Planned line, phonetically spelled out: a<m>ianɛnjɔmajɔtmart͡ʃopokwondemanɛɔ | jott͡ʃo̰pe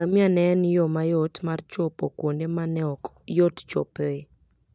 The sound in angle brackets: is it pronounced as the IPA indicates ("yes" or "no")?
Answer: yes